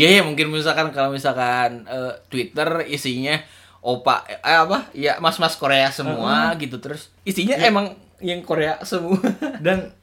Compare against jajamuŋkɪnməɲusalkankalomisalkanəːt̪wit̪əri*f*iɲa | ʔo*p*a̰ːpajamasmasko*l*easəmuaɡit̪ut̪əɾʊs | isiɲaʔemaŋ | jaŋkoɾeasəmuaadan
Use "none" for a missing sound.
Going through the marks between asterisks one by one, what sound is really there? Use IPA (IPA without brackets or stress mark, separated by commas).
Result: s, p, ɾ